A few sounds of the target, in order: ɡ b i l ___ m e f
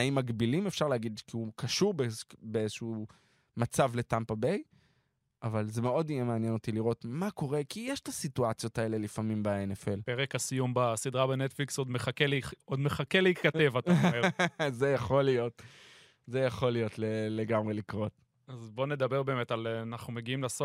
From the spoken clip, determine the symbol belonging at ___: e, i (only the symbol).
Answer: i